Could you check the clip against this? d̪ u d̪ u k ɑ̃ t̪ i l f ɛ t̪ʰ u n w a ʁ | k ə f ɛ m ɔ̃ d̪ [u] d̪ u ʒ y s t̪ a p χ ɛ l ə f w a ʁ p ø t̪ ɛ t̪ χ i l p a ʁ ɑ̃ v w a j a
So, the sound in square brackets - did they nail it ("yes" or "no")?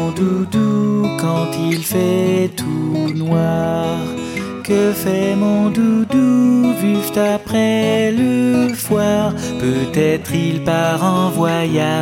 yes